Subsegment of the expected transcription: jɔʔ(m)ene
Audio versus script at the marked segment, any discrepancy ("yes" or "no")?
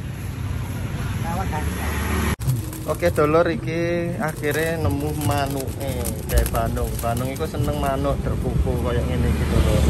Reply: yes